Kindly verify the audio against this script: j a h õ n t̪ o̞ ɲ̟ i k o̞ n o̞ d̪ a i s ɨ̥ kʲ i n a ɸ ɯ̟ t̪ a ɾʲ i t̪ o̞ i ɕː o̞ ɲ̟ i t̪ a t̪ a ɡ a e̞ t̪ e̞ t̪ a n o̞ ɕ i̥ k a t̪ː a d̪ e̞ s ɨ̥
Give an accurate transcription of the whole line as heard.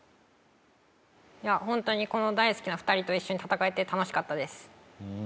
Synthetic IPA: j a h õ n t̪ o̞ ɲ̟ i k o̞ n o̞ d̪ a i s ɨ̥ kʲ i n a ɸ ɯ̟ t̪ a ɾʲ i t̪ o̞ i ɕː o̞ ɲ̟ i t̪ a t̪ a k a e̞ t̪ e̞ t̪ a n o̞ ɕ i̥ k a t̪ː a d̪ e̞ s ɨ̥